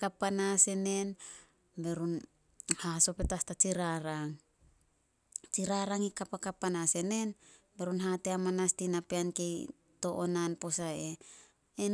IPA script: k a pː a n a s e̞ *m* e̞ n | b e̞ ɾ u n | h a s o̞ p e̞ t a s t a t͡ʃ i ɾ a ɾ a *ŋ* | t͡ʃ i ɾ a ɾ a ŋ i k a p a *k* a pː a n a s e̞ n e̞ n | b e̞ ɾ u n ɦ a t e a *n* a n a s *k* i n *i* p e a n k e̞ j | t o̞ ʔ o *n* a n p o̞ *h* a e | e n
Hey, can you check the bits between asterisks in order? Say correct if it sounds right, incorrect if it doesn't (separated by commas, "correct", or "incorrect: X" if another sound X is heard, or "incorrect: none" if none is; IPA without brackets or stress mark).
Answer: incorrect: n, correct, correct, incorrect: m, incorrect: t, incorrect: a, correct, incorrect: s